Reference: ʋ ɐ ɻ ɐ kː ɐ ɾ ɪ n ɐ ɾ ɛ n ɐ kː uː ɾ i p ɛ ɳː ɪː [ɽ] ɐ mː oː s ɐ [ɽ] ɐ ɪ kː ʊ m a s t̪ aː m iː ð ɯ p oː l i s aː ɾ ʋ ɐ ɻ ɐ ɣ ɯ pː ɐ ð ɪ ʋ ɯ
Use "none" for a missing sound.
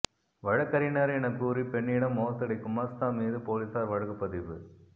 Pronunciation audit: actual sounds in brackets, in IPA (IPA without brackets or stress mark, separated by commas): ɽ, ɽ